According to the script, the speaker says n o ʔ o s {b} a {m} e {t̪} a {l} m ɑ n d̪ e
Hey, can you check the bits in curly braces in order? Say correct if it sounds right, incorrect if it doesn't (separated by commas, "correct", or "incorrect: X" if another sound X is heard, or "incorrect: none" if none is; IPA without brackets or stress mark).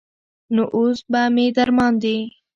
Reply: correct, correct, incorrect: d̪, incorrect: ɾ